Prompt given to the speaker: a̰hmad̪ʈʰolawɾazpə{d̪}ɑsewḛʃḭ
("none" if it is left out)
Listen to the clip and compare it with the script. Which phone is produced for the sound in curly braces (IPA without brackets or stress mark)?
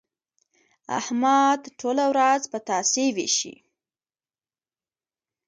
t̪